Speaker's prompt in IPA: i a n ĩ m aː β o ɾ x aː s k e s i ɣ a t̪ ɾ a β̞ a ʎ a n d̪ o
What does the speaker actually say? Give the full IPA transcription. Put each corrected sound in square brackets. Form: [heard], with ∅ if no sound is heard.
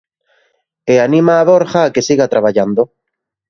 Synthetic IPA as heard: [e] a n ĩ m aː β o ɾ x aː [∅] k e s i ɣ a t̪ ɾ a β̞ a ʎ a n d̪ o